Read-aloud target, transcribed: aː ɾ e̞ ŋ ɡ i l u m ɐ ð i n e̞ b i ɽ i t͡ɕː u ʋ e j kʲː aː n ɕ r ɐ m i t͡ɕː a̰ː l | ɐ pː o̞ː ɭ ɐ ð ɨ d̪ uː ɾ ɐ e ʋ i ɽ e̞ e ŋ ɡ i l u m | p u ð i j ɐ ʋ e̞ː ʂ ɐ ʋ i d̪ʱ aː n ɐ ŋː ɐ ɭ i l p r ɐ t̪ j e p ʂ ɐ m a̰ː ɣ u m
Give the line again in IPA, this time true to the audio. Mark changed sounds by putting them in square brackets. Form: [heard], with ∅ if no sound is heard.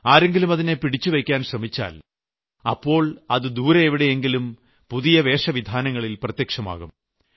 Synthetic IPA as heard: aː ɾ e̞ ŋ ɡ i l u m ɐ ð i n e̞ [p] i ɽ i t͡ɕː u ʋ e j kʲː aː n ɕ r ɐ m i t͡ɕː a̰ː l | ɐ pː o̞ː ɭ ɐ ð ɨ d̪ uː ɾ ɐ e ʋ i ɽ e̞ e ŋ ɡ i l u m | p u ð i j ɐ ʋ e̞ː ʂ ɐ ʋ i d̪ʱ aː n ɐ ŋː ɐ ɭ i l p r ɐ t̪ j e [k] ʂ ɐ m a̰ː ɣ u m

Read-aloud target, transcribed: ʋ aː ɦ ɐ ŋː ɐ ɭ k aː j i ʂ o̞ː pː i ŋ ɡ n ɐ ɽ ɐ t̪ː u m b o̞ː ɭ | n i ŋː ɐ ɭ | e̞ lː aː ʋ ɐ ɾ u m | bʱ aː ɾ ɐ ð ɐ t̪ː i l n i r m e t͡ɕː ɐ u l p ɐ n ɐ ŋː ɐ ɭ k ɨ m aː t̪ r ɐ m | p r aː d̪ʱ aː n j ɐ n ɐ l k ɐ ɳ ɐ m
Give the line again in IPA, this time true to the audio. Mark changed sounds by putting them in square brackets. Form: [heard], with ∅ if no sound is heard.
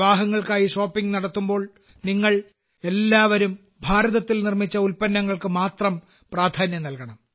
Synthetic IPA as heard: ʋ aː ɦ ɐ ŋː ɐ ɭ k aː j i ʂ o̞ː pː i ŋ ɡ n ɐ ɽ ɐ t̪ː u m b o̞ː ɭ | n i ŋː ɐ ɭ | e̞ lː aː ʋ ɐ ɾ u m | bʱ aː ɾ ɐ ð ɐ t̪ː i l n i r m [i] t͡ɕː ɐ u l p ɐ [nː] ɐ ŋː ɐ ɭ k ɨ m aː t̪ r ɐ m | p r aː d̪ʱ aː n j ɐ n ɐ l k ɐ ɳ ɐ m

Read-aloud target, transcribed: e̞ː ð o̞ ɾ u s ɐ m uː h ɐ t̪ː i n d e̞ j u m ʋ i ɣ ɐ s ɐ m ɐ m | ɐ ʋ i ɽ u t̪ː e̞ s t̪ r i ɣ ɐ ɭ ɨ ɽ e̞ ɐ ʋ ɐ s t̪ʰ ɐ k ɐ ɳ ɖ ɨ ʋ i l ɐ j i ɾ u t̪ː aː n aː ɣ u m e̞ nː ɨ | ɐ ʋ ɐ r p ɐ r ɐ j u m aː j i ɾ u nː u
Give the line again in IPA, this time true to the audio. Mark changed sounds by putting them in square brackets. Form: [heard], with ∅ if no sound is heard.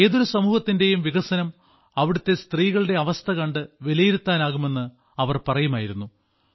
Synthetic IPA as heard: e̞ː ð o̞ ɾ u s ɐ m uː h ɐ t̪ː i n d e̞ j u m ʋ i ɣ ɐ s ɐ [n] ɐ m | ɐ ʋ i ɽ u t̪ː e̞ s t̪ r [iː] ɣ ɐ ɭ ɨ ɽ e̞ ɐ ʋ ɐ s t̪ʰ ɐ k ɐ ɳ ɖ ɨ ʋ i l ɐ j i ɾ u t̪ː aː n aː ɣ u m e̞ nː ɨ | ɐ ʋ ɐ r p ɐ r ɐ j u m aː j i ɾ u nː u

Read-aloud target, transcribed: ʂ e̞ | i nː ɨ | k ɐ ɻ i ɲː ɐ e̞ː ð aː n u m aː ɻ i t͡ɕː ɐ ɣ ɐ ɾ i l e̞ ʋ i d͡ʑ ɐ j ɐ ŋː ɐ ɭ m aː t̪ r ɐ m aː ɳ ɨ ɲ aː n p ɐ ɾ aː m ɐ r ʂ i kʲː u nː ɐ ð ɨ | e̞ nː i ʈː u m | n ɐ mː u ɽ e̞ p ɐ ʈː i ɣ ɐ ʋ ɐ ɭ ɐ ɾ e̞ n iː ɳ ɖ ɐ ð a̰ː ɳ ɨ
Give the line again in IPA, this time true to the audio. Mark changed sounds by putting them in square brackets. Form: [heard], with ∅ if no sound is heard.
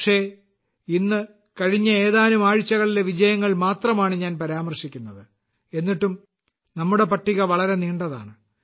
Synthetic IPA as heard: ʂ e̞ | i nː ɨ | k ɐ ɻ i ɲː ɐ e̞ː ð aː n u m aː ɻ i t͡ɕː ɐ ɣ ɐ [ɭ] i l e̞ ʋ i d͡ʑ ɐ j ɐ ŋː ɐ ɭ m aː t̪ r ɐ m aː ɳ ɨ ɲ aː n p ɐ ɾ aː m ɐ r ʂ i kʲː u nː ɐ ð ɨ | e̞ nː i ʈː u m | n ɐ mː u ɽ e̞ p ɐ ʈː i ɣ ɐ ʋ ɐ ɭ ɐ ɾ e̞ n iː ɳ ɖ ɐ ð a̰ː ɳ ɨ

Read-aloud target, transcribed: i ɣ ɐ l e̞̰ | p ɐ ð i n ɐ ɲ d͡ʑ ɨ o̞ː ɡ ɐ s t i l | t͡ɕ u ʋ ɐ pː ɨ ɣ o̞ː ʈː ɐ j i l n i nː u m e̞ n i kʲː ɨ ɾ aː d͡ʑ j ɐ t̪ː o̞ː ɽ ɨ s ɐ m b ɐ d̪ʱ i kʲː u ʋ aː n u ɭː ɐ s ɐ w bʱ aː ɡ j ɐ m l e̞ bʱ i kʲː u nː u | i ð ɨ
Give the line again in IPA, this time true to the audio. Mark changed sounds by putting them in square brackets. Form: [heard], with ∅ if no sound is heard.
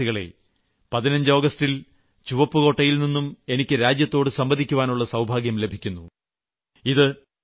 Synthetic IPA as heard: i ɣ ɐ [ɭ] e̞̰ | p ɐ ð i n ɐ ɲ d͡ʑ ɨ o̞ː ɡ ɐ s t i l | t͡ɕ u ʋ ɐ pː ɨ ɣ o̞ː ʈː ɐ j i l n i nː u m e̞ n i kʲː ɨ ɾ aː d͡ʑ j ɐ t̪ː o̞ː ɽ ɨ s ɐ m b ɐ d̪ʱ i kʲː u ʋ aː n u ɭː ɐ s ɐ w bʱ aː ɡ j ɐ m l e̞ bʱ i kʲː u nː u | i ð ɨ

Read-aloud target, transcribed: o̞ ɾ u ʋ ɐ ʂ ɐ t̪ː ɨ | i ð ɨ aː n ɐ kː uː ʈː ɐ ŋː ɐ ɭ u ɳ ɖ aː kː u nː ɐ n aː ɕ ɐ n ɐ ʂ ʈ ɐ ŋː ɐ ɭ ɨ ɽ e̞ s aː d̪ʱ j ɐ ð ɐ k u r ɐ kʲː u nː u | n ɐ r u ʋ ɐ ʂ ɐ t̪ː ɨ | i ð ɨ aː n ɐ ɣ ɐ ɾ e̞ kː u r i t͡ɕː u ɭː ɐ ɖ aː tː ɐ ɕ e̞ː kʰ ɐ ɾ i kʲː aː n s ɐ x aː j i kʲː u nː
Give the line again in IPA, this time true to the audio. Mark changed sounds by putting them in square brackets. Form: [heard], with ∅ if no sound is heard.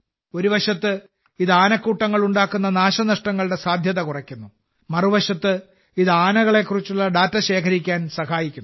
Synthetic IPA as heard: o̞ ɾ u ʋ ɐ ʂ ɐ t̪ː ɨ | i ð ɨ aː n ɐ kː uː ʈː ɐ ŋː ɐ ɭ u ɳ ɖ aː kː u nː ɐ n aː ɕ ɐ n ɐ ʂ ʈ ɐ ŋː ɐ ɭ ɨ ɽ e̞ s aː d̪ʱ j ɐ ð ɐ k u r ɐ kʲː u nː u | [m] ɐ r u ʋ ɐ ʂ ɐ t̪ː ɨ | i ð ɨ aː n ɐ ɣ ɐ [ɭ] e̞ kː u r i t͡ɕː u ɭː ɐ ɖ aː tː ɐ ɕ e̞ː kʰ ɐ ɾ i kʲː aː n s ɐ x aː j i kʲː u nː

